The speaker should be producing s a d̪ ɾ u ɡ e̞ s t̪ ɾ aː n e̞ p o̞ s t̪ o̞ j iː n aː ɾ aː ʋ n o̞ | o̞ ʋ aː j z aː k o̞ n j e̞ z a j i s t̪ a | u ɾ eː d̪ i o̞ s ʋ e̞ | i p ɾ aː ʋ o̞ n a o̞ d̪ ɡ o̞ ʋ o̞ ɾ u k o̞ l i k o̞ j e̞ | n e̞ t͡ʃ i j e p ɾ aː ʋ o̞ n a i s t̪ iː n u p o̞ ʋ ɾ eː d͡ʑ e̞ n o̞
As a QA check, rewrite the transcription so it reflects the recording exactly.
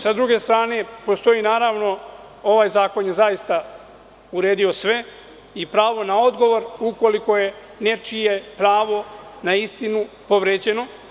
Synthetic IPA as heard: s a d̪ ɾ u ɡ e̞ s t̪ ɾ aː n e̞ p o̞ s t̪ o̞ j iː n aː ɾ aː ʋ n o̞ | o̞ ʋ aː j z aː k o̞ n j e̞ z a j i s t̪ a | u ɾ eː d̪ i o̞ s ʋ e̞ | i p ɾ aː ʋ o̞ n a o̞ d̪ ɡ o̞ ʋ o̞ ɾ u k o̞ l i k o̞ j e̞ | n e̞ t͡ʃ i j e p ɾ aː ʋ o̞ n a i s t̪ i n u p o̞ ʋ ɾ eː d͡ʑ e̞ n o̞